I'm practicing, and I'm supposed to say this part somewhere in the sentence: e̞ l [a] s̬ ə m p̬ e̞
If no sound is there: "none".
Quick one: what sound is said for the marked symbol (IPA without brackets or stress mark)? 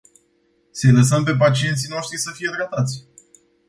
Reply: ə